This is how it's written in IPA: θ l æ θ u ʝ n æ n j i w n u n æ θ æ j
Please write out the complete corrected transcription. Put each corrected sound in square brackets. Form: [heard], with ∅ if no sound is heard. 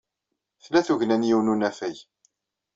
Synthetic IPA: θ l æ θ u ʝ n æ n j i w n u n æ [f] æ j